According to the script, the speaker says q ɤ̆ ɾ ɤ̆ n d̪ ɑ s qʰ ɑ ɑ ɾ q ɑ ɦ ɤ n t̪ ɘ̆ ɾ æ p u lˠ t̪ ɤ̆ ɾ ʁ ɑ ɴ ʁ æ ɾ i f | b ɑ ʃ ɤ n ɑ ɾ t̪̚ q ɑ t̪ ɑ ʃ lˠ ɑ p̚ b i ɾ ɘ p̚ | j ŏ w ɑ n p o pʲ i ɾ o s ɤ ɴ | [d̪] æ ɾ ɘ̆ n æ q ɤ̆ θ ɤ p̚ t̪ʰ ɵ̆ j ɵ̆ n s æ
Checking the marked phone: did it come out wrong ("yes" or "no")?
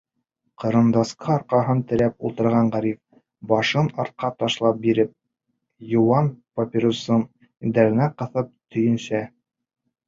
no